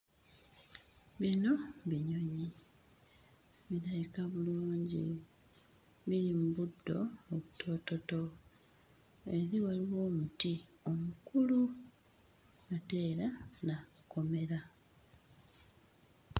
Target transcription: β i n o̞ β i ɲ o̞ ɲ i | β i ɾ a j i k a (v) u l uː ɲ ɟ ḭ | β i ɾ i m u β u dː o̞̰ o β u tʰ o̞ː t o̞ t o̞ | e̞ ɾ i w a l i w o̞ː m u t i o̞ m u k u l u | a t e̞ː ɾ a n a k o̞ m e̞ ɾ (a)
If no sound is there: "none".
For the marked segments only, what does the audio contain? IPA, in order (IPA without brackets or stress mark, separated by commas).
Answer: β, a